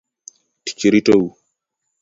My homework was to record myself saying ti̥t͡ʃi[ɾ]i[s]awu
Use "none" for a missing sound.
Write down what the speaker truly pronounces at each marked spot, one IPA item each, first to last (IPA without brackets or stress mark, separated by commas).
ɾ, t